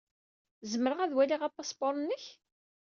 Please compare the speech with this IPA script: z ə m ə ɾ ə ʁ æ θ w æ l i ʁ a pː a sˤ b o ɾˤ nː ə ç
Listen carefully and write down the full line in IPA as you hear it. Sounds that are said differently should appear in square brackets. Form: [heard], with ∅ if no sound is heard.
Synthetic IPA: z ə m ə ɾ ə ʁ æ [ð] w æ l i ʁ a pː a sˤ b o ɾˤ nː ə ç